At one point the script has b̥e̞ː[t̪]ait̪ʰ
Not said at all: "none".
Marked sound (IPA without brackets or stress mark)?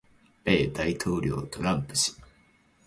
d̪